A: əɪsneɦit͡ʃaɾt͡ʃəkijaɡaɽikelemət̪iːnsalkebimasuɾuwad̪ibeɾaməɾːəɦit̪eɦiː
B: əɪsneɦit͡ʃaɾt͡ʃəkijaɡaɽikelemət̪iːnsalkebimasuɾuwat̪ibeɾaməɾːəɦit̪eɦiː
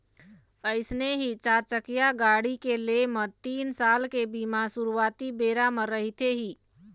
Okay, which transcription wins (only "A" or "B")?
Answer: B